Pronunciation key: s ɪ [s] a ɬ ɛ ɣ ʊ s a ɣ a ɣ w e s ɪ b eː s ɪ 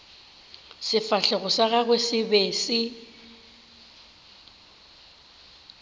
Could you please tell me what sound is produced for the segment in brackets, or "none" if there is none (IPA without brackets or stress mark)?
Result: f